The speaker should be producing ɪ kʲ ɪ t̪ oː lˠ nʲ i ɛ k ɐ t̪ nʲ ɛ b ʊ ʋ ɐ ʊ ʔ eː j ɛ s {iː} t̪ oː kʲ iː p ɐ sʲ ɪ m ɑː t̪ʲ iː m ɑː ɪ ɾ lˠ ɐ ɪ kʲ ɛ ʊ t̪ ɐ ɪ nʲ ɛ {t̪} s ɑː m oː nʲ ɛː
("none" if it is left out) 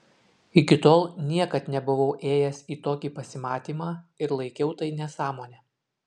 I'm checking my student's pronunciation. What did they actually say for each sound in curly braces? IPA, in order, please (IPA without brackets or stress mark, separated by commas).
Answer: iː, none